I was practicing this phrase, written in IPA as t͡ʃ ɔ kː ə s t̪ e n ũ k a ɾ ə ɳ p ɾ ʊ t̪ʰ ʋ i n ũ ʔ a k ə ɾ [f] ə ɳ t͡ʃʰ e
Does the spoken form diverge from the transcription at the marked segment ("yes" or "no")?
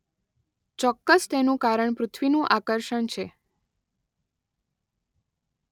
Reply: yes